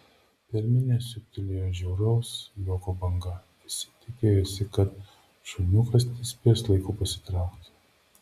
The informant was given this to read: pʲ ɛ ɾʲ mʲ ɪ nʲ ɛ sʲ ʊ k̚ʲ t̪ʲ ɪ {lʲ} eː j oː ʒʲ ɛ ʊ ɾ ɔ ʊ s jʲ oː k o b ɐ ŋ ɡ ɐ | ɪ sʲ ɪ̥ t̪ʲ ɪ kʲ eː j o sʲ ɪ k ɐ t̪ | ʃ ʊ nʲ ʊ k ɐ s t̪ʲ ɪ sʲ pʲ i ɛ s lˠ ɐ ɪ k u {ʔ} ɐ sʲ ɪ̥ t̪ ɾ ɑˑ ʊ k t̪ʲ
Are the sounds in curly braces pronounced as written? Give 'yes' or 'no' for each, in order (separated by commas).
yes, no